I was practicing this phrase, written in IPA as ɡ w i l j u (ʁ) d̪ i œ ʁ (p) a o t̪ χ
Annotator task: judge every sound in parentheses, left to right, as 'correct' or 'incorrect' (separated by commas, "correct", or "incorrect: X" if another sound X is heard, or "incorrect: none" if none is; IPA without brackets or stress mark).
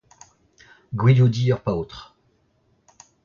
incorrect: none, correct